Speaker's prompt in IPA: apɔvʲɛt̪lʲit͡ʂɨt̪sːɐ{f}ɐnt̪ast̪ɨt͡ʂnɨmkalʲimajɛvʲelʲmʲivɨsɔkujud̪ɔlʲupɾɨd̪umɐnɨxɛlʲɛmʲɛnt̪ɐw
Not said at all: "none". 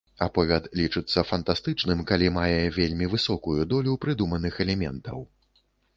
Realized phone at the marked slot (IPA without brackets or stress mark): f